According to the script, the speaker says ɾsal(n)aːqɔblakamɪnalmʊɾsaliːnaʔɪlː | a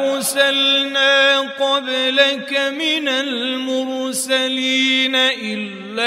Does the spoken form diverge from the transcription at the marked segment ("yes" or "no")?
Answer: no